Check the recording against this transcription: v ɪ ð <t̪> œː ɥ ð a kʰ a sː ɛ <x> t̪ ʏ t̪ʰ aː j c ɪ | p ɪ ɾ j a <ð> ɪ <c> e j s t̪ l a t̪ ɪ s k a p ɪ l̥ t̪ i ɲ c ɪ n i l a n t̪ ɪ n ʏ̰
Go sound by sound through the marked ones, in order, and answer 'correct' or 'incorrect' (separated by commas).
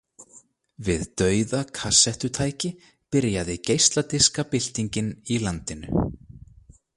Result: correct, incorrect, correct, correct